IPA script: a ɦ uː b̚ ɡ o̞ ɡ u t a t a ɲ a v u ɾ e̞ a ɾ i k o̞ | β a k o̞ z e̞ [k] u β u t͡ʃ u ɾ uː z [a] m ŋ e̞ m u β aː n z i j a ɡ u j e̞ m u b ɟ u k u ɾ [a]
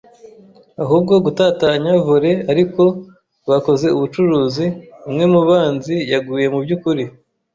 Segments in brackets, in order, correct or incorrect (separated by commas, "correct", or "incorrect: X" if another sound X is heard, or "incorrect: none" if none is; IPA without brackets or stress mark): incorrect: none, incorrect: i, incorrect: i